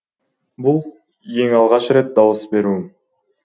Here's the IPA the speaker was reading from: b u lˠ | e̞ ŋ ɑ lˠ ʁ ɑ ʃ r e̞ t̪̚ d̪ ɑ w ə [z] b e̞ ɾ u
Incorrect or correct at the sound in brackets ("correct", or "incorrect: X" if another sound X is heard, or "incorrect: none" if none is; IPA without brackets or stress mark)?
incorrect: s